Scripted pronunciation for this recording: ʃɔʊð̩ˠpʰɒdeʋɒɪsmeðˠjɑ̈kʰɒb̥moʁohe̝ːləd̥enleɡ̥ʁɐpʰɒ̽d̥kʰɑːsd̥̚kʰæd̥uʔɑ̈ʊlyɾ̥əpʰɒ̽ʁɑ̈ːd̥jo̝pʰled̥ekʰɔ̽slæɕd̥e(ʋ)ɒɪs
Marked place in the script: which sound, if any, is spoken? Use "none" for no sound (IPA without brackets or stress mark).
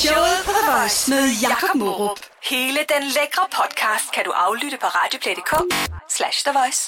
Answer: ʋ